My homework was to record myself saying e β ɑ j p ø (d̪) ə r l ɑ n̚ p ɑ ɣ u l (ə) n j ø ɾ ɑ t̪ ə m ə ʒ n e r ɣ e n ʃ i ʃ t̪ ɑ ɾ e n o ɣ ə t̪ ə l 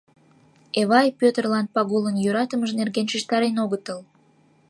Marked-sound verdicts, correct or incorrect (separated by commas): incorrect, correct